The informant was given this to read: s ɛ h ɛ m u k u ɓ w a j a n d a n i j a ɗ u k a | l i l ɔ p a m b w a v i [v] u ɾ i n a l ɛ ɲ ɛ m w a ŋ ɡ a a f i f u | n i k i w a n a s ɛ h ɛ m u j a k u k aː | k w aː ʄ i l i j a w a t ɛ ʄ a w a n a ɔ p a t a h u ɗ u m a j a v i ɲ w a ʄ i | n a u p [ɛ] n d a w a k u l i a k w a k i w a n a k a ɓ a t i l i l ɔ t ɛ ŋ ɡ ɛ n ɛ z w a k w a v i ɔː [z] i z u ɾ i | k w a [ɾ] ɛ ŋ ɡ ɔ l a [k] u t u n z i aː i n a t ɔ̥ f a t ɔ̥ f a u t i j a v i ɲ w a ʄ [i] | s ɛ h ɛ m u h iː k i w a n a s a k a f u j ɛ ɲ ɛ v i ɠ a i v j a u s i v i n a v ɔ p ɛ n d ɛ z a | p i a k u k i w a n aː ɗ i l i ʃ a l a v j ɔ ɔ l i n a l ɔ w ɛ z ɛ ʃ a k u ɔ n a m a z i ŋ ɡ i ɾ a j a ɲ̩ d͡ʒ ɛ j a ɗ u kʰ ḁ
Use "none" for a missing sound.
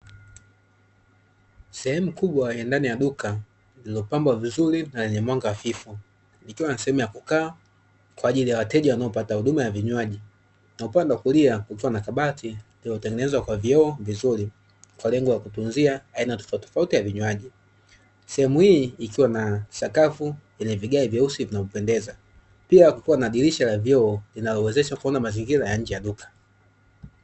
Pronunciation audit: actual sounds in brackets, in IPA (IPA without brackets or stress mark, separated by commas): z, a, v, l, k, i